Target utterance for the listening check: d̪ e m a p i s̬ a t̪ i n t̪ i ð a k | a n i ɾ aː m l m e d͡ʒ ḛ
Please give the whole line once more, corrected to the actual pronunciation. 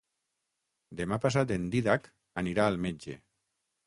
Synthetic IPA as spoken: d̪ e m a p a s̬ a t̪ e n d̪ i ð a k | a n i ɾ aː l m e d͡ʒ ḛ